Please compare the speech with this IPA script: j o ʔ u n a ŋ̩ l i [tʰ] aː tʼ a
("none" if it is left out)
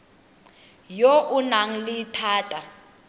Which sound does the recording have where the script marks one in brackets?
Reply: tʰ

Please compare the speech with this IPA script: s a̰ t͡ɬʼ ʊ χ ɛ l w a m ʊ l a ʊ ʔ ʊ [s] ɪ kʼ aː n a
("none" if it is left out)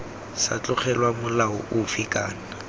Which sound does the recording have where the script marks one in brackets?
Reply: f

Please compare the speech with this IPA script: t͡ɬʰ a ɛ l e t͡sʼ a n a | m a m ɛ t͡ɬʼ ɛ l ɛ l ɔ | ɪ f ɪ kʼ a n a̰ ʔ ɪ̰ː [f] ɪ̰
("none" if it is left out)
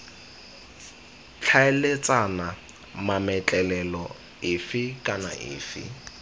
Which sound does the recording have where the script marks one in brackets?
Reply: f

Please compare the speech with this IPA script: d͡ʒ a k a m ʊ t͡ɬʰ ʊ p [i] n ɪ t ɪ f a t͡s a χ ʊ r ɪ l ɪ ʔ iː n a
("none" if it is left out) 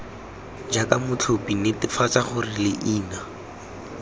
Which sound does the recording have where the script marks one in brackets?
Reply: i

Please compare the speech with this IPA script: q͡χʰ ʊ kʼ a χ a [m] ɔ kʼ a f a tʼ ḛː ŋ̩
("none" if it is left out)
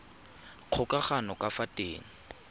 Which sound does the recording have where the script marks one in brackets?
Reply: n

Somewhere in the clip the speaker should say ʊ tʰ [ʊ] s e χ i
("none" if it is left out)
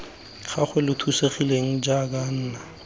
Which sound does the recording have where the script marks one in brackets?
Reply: u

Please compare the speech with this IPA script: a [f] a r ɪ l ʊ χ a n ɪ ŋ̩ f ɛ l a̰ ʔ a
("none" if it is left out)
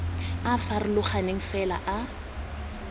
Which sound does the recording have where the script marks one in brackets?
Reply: f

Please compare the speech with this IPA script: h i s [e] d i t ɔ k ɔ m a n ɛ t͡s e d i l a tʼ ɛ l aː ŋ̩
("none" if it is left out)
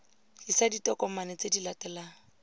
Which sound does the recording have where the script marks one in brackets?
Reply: a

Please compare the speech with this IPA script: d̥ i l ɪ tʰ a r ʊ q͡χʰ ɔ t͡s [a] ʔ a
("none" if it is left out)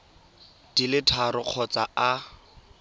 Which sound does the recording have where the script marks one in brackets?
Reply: a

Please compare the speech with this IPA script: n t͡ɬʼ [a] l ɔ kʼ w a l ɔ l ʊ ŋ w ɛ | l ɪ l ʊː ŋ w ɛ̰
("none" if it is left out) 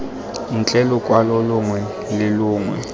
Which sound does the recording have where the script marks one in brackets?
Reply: ɛ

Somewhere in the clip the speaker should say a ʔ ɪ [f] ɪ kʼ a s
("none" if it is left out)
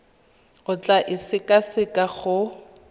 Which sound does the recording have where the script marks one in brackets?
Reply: s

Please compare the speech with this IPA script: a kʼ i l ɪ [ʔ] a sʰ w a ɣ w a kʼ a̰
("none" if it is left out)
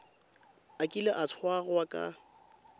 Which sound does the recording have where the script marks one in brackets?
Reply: ʔ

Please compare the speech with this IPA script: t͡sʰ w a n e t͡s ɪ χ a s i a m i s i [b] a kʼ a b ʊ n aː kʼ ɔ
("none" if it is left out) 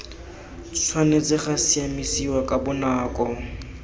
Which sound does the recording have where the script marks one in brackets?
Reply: w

